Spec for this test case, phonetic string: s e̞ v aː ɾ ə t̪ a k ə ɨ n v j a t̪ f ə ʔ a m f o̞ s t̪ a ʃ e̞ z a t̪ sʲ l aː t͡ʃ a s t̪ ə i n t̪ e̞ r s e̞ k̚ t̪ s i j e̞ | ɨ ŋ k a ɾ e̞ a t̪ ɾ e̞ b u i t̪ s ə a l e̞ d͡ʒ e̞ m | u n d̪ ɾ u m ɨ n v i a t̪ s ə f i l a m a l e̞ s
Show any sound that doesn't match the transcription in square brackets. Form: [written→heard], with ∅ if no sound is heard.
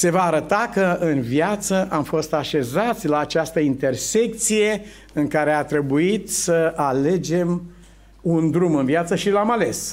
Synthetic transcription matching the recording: s e̞ v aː ɾ ə t̪ a k ə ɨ n v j a t̪ [f→s] ə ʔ a m f o̞ s t̪ a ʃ e̞ z a t̪ sʲ l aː t͡ʃ a s t̪ ə i n t̪ e̞ r s e̞ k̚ t̪ s i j e̞ | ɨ ŋ k a ɾ e̞ a t̪ ɾ e̞ b u i t̪ s ə a l e̞ d͡ʒ e̞ m | u n d̪ ɾ u m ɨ n v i a t̪ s ə [f→ʃ] i l a m a l e̞ s